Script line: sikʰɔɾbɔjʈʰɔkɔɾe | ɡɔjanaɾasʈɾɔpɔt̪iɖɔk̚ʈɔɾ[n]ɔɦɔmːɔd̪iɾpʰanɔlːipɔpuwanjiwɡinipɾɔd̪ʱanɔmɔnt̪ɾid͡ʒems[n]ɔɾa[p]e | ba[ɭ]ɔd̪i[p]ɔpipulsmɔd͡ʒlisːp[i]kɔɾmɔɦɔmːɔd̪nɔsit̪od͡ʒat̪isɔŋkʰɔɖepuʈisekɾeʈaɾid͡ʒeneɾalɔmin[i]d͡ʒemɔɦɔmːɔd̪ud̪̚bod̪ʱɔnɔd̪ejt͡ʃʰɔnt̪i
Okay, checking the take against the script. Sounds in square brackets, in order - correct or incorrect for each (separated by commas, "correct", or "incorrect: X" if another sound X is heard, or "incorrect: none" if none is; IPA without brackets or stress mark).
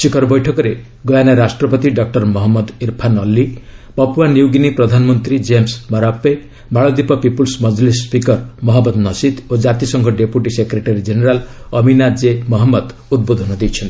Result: incorrect: m, incorrect: m, correct, correct, correct, correct, incorrect: a